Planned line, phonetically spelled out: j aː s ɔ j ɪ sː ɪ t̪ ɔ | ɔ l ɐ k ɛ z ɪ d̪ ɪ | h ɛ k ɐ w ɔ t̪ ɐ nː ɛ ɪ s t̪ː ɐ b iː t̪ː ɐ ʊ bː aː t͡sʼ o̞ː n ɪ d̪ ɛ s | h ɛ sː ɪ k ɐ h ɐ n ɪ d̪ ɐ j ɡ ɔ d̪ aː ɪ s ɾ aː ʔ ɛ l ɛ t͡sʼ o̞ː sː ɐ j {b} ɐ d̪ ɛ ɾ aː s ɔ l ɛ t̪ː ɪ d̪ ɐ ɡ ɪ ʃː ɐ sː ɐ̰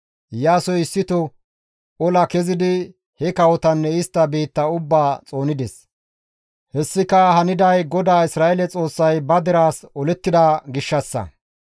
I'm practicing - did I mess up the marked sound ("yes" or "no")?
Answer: no